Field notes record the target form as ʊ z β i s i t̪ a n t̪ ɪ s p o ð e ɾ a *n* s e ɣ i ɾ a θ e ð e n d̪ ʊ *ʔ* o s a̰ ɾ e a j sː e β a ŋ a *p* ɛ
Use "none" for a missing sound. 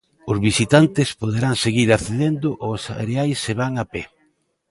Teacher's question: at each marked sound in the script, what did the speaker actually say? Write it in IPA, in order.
ŋ, ʔ, p

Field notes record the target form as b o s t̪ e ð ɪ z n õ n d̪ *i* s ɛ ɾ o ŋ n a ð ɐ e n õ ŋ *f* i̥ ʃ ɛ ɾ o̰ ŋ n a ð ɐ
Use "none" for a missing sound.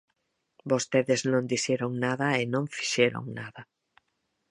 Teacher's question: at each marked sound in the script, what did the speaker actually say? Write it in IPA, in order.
i, f

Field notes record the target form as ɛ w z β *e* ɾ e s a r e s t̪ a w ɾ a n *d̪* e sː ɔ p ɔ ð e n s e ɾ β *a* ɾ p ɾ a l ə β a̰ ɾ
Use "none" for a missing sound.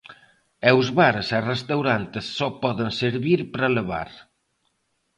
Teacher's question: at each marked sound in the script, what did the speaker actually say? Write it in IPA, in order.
a, t̪, i

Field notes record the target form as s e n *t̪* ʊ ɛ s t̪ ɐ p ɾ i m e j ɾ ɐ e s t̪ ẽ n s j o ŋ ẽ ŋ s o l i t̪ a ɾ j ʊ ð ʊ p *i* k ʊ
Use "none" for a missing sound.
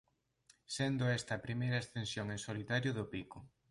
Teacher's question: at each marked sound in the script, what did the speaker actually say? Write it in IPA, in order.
d̪, i

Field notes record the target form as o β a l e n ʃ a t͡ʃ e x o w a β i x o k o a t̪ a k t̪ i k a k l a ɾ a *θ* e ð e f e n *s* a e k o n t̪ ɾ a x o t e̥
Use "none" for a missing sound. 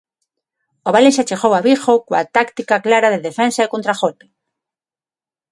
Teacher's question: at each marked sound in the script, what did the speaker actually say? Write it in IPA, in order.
ð, s

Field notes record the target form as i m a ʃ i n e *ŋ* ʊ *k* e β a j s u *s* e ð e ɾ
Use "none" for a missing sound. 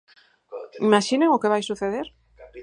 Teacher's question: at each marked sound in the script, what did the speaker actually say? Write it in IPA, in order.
ŋ, k, θ

